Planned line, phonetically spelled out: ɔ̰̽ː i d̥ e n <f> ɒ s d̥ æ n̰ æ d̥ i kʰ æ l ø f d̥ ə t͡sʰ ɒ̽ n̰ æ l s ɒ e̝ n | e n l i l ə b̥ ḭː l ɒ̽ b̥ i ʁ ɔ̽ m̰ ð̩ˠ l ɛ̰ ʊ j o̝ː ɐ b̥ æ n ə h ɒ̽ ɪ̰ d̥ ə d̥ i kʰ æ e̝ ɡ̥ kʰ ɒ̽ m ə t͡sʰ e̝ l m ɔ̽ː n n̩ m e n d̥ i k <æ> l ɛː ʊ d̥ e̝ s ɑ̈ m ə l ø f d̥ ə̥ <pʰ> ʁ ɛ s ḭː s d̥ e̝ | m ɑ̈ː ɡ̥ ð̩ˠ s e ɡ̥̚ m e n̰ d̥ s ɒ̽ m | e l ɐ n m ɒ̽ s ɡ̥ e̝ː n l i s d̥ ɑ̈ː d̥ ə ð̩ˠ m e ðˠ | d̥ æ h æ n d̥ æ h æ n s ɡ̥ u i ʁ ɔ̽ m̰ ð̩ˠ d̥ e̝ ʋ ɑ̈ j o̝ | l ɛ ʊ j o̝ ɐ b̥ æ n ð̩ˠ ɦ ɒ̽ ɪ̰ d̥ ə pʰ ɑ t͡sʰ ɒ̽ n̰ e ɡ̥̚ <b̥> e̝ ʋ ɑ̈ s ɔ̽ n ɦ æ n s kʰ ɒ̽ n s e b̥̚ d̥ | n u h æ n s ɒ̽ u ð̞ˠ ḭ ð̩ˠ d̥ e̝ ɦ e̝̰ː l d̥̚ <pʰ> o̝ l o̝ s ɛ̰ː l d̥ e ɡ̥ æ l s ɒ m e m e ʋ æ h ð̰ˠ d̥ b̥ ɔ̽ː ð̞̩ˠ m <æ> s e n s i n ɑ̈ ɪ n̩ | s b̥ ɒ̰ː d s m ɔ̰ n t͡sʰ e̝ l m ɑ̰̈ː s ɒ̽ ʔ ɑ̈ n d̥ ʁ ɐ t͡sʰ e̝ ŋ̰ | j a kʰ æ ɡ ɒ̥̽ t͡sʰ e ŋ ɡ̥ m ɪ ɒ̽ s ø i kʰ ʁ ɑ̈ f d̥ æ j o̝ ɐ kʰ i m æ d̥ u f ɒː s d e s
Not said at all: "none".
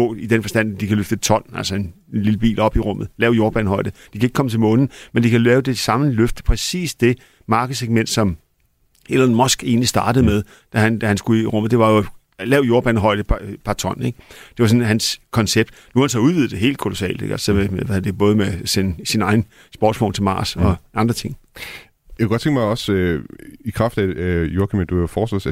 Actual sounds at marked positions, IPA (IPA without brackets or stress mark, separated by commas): f, æ, pʰ, d̥, kʰ, e